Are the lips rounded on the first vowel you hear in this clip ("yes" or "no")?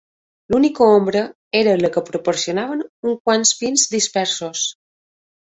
yes